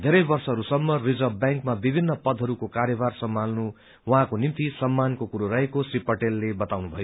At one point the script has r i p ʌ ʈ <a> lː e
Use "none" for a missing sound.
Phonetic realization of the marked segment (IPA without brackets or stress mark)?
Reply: e